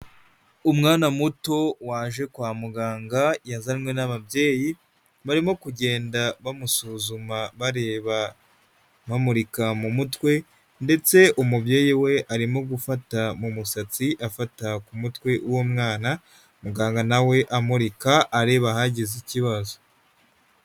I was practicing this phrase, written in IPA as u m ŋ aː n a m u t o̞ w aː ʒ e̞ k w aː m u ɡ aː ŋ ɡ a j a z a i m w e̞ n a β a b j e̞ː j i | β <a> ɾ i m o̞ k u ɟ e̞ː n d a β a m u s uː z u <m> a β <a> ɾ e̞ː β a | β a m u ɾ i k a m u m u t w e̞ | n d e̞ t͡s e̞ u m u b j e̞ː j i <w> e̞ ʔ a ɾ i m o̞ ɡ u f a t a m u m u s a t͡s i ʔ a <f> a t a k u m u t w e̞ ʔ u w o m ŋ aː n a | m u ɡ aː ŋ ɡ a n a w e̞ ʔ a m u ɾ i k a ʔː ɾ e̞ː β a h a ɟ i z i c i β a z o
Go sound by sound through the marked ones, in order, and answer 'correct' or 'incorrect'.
correct, correct, correct, correct, correct

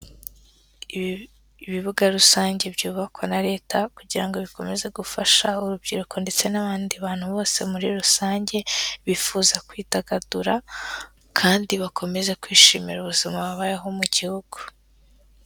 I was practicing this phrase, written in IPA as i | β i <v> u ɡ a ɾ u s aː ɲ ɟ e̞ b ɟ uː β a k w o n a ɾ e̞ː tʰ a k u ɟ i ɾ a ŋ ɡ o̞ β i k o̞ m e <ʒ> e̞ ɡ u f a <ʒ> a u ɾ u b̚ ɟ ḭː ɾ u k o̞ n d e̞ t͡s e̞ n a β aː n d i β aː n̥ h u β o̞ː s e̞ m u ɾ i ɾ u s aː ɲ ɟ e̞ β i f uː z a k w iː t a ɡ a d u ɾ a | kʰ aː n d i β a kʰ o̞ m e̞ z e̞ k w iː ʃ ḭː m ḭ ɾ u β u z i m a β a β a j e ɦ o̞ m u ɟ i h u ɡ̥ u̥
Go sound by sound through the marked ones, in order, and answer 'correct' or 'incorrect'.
incorrect: β, incorrect: z, incorrect: ʃ

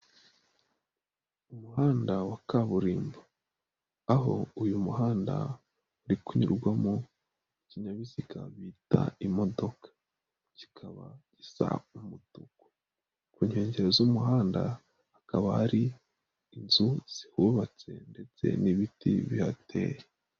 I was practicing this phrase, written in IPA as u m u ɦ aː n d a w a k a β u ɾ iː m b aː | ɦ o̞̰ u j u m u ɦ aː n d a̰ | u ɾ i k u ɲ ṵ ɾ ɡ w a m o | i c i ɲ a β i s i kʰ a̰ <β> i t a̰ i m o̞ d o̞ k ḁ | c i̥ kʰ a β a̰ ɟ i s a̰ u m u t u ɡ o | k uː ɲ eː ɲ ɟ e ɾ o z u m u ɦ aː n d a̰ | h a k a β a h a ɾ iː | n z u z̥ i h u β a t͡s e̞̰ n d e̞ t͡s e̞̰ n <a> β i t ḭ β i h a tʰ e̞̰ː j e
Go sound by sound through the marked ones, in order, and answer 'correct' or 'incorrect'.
correct, incorrect: i

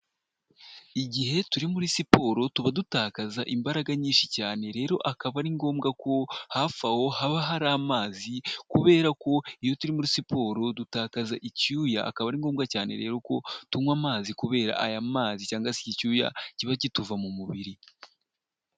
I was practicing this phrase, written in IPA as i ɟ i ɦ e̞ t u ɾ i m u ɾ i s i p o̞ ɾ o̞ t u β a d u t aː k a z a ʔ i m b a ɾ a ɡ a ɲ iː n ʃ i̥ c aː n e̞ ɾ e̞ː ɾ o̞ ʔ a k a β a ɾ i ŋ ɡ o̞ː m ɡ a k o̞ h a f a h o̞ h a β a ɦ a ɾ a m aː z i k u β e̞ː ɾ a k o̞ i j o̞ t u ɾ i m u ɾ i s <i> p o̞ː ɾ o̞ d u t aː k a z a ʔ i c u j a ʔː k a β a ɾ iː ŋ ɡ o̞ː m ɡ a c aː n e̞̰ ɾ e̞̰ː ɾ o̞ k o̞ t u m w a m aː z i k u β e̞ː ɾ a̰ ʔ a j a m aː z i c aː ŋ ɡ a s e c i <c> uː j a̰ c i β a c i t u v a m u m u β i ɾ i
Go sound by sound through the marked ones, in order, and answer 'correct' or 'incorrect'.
correct, correct

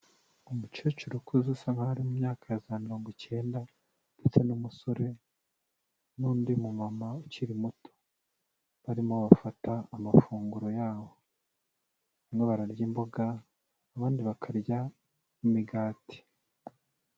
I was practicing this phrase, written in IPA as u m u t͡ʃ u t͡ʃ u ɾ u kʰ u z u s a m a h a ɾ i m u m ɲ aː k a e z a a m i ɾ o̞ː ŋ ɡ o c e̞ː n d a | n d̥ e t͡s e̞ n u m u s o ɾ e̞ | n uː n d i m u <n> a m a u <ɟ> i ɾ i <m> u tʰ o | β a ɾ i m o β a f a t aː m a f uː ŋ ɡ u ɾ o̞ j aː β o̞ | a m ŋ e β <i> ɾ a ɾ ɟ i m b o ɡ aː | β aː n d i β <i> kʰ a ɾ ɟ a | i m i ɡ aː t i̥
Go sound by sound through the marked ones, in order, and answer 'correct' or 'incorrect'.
incorrect: m, incorrect: c, correct, incorrect: a, incorrect: a

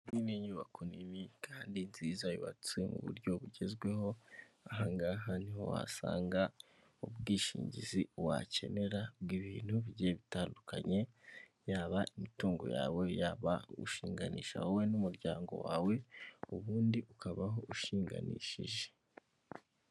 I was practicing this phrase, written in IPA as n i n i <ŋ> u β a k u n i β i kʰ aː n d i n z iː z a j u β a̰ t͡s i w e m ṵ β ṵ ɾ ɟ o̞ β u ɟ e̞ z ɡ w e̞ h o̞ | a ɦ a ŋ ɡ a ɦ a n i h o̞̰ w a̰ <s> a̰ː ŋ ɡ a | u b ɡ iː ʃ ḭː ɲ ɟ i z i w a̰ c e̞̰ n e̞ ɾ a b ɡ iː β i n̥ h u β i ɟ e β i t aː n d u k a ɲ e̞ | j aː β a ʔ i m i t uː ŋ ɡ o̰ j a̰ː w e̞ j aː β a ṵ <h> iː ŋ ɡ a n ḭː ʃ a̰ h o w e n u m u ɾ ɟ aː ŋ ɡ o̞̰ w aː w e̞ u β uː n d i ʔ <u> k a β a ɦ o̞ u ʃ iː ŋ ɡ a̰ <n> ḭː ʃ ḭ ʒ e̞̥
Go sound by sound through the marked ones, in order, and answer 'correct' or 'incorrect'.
incorrect: ɲ, correct, incorrect: ʃ, correct, correct

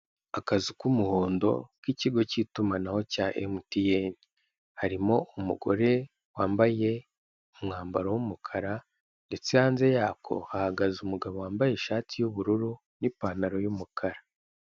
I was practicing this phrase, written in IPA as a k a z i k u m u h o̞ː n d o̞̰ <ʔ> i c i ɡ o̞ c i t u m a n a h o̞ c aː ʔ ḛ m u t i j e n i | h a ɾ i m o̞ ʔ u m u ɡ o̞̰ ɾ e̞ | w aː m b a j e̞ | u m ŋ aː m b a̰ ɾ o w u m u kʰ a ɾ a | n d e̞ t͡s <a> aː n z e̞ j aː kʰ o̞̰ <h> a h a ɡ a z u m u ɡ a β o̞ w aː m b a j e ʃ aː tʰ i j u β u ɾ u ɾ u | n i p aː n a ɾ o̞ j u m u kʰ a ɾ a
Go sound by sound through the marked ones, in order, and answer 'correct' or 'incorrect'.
incorrect: k, incorrect: e, correct

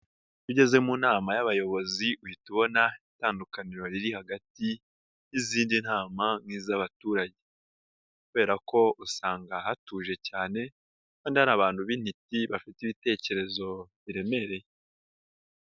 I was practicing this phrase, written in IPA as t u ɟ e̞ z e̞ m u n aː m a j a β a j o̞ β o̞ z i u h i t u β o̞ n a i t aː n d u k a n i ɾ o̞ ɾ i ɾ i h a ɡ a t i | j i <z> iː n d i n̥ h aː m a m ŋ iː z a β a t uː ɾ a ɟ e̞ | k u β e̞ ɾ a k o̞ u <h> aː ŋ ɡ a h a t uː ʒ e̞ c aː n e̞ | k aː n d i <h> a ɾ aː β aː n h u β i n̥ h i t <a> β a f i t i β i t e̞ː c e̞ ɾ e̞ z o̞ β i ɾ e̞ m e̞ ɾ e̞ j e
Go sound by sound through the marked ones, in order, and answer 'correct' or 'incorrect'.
correct, incorrect: s, correct, incorrect: i

